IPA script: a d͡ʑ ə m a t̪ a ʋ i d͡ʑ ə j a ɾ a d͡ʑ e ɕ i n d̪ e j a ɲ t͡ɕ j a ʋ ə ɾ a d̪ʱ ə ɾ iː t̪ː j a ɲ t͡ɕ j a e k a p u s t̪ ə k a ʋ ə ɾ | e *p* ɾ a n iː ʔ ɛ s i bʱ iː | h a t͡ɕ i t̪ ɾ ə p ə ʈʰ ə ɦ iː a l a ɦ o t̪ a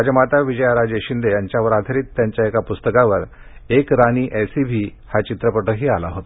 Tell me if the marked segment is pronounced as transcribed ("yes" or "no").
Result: no